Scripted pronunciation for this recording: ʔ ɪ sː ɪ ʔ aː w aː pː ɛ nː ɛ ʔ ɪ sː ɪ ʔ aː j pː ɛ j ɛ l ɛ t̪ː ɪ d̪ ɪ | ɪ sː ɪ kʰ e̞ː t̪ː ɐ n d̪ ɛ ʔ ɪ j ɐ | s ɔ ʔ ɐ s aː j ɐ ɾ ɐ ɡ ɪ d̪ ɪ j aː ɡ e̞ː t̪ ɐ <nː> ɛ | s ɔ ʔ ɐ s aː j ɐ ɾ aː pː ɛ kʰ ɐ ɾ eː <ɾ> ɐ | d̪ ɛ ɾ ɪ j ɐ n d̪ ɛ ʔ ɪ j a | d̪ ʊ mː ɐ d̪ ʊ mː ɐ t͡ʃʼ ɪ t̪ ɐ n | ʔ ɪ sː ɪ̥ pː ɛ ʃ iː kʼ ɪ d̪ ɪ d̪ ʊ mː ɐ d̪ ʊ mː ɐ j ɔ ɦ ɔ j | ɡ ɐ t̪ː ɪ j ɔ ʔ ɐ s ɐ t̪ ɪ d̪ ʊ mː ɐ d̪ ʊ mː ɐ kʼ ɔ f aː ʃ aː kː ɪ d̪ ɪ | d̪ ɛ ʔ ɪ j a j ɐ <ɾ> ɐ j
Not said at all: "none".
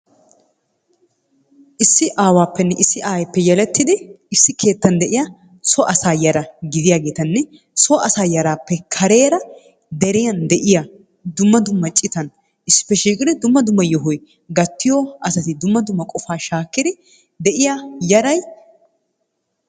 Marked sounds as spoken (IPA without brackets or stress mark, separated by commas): nː, ɾ, ɾ